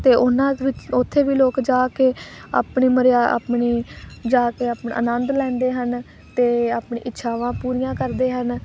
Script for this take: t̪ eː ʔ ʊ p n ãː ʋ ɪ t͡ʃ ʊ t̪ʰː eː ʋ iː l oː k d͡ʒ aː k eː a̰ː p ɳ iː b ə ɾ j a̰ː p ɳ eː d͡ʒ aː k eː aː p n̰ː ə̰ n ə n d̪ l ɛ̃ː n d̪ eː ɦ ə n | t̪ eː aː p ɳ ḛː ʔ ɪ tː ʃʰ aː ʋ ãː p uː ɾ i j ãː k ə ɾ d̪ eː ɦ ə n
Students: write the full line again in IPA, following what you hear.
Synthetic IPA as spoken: t̪ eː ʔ ʊ n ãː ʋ ɪ t͡ʃ ʊ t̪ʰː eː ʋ iː l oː k d͡ʒ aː k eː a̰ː p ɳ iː m ə ɾ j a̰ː p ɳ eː d͡ʒ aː k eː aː p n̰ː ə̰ n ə n d̪ l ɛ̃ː n d̪ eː ɦ ə n | t̪ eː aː p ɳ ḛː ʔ ɪ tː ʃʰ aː ʋ ãː p uː ɾ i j ãː k ə ɾ d̪ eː ɦ ə n